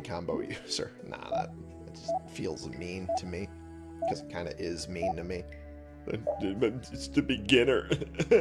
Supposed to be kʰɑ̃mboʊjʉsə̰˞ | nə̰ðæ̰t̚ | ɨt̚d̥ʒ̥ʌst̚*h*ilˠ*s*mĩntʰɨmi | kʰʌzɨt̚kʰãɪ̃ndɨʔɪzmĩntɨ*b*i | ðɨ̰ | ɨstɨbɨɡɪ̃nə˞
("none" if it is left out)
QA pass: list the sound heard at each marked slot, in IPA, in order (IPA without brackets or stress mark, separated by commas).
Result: f, z, m